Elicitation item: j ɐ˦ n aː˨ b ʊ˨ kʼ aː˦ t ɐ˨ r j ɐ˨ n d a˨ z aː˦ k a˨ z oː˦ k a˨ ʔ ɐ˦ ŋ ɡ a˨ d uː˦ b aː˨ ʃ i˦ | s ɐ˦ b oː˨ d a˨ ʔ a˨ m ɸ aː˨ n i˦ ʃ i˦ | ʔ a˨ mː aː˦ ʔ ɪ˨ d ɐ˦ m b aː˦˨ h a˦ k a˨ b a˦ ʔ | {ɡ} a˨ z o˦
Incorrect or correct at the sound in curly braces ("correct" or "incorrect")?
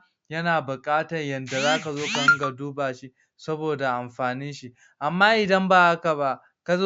incorrect